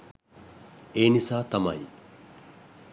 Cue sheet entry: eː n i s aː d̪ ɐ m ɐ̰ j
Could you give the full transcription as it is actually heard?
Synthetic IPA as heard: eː n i s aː t̪ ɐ m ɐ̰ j